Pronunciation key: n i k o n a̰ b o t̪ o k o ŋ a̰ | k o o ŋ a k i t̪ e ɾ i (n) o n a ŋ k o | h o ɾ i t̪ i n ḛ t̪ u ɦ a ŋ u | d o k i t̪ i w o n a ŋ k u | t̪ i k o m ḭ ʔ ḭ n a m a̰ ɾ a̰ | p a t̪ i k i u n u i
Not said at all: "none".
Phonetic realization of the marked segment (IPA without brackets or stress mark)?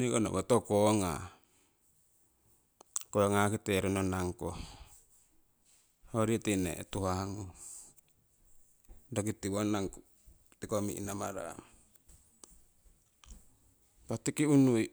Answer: n